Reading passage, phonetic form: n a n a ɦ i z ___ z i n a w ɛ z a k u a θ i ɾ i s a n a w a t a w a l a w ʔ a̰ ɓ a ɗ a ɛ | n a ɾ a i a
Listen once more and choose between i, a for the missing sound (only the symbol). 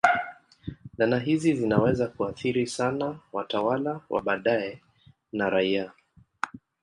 i